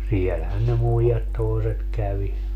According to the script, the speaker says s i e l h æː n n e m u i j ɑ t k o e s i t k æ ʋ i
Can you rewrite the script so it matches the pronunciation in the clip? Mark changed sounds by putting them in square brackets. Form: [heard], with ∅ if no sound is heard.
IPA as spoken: s i e l h [æ] n n e m u i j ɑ t [t] o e s [e] t k æ ʋ i